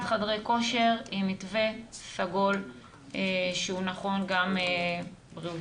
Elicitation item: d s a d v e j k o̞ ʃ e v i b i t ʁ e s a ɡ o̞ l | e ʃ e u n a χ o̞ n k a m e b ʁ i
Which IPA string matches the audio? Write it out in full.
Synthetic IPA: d χ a d ʁ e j k o̞ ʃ e ʁ i m i t v e s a ɡ o̞ l | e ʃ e u n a χ o̞ n ɡ a m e b ʁ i